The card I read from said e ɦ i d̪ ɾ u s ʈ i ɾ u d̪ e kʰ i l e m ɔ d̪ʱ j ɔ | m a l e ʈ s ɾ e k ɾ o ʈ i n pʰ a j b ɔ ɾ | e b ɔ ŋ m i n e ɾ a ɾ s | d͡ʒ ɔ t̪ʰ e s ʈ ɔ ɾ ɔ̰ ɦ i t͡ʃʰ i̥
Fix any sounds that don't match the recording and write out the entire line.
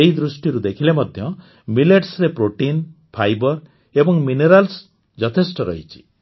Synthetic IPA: e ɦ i d̪ ɾ u s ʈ i ɾ u d̪ e kʰ i l e m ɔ d̪ʱ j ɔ | m i l e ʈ s ɾ e p ɾ o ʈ i n pʰ a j b ɔ ɾ | e b ɔ ŋ m i n e ɾ a l s | d͡ʒ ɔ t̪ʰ e s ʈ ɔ ɾ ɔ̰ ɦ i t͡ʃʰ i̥